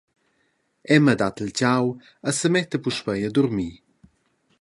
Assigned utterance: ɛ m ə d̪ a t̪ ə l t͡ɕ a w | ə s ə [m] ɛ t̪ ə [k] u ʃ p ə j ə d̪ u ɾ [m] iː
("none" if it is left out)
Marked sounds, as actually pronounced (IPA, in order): m, p, m

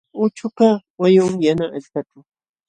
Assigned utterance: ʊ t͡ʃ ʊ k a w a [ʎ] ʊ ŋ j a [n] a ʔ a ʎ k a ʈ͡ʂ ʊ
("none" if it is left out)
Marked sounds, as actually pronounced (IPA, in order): j, n

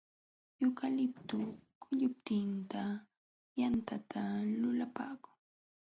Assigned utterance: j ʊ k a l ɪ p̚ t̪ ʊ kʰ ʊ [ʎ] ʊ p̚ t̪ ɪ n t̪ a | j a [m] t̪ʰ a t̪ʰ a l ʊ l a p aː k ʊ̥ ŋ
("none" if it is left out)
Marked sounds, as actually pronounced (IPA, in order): ʎ, n

